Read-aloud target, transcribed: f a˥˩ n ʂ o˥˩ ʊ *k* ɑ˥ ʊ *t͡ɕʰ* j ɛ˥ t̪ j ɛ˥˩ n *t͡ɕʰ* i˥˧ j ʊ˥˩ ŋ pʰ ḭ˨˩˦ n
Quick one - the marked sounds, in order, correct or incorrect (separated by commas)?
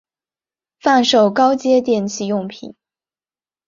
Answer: correct, incorrect, correct